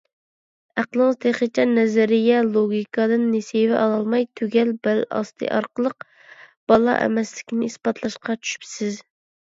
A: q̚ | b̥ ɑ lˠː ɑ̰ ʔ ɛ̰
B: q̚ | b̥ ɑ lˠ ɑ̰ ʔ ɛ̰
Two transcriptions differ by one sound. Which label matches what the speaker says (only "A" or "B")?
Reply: B